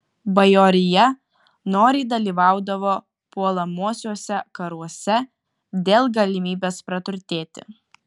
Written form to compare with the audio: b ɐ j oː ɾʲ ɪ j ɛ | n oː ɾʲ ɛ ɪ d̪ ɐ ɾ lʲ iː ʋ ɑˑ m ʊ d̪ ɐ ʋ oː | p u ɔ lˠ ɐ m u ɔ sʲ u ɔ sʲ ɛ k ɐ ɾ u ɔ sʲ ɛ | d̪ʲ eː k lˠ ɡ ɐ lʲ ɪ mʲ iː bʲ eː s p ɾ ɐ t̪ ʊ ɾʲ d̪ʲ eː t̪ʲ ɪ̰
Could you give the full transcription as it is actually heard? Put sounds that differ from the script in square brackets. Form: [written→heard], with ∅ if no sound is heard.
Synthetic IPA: b ɐ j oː ɾʲ ɪ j ɛ | n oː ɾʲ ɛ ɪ d̪ ɐ [ɾ→∅] lʲ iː ʋ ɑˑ [m→∅] ʊ d̪ ɐ ʋ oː | p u ɔ lˠ ɐ m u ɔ sʲ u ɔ sʲ ɛ k ɐ ɾ u ɔ sʲ ɛ | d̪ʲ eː [k→∅] lˠ ɡ ɐ lʲ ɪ mʲ iː bʲ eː s p ɾ ɐ t̪ ʊ ɾʲ [d̪ʲ→t̪ʲ] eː t̪ʲ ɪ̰